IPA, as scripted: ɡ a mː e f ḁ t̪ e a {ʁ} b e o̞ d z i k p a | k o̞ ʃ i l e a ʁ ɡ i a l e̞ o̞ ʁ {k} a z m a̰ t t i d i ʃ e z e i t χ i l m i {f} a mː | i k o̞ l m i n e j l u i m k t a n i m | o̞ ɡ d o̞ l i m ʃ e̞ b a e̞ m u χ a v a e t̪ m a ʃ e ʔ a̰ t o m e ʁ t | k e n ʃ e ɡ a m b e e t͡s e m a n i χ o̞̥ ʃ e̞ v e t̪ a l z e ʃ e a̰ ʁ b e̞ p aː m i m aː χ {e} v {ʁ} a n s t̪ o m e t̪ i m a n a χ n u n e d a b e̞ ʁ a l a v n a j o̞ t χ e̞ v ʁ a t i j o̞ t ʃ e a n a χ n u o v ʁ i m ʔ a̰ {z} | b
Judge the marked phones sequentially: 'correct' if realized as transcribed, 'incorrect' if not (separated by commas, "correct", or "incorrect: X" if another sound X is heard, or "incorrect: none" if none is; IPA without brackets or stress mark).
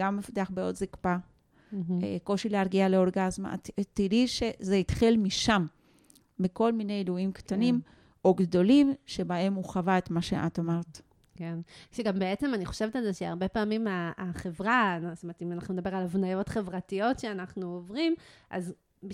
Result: incorrect: χ, incorrect: ɡ, incorrect: ʃ, correct, correct, correct